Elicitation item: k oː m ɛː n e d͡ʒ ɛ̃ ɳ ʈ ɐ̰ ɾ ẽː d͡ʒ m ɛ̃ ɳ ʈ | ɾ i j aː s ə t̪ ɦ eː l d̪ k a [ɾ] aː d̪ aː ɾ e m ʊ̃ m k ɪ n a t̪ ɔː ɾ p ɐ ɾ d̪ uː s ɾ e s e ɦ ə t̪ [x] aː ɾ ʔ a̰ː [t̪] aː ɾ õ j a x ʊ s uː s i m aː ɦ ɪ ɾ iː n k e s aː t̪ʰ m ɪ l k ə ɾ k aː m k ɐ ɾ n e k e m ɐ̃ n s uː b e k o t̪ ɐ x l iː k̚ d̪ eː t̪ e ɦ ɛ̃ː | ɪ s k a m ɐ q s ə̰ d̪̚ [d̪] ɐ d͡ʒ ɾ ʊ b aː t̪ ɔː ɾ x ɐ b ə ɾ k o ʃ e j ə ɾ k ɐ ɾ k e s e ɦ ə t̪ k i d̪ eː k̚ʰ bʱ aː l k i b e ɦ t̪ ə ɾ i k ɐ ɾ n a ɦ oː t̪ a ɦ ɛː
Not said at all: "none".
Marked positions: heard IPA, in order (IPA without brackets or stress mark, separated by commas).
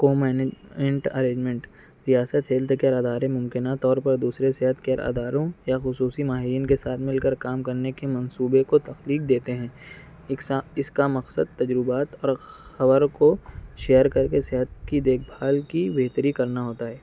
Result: ɾ, k, d̪, t̪